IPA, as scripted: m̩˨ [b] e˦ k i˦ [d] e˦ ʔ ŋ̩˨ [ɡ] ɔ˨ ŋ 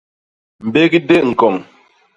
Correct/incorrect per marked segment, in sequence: correct, correct, incorrect: k

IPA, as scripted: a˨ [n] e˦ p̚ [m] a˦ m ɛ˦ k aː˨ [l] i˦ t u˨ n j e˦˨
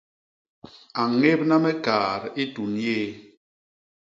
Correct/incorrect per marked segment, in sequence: incorrect: ŋ, incorrect: n, incorrect: ɾ

